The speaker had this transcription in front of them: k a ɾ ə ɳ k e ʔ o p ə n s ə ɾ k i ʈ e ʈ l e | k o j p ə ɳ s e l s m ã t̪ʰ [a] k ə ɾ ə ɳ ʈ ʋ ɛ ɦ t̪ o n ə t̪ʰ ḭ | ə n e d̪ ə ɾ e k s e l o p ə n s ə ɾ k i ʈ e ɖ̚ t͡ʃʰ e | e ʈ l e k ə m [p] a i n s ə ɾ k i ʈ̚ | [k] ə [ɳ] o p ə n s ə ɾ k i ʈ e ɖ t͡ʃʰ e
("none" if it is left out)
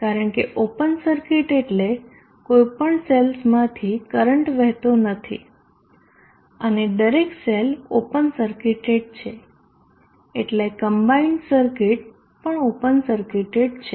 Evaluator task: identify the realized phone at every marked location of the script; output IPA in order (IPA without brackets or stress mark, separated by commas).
i, b, p, ɳ